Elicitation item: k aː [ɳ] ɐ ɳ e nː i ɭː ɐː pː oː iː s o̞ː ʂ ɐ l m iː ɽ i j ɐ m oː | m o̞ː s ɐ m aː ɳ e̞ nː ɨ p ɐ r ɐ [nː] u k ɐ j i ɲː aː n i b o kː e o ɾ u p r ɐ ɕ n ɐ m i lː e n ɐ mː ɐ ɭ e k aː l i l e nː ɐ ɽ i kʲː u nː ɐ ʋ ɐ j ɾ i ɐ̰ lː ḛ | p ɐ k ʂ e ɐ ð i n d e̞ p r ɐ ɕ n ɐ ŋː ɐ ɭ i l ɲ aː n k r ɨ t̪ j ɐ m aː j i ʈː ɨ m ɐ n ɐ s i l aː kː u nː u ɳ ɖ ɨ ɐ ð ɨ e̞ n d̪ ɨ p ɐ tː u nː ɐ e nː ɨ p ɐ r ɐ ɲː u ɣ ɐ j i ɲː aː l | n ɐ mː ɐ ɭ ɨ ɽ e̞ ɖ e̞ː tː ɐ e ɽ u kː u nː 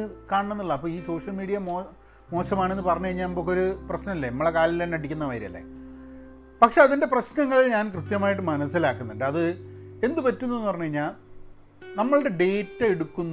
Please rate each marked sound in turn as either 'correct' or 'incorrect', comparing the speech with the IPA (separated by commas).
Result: correct, incorrect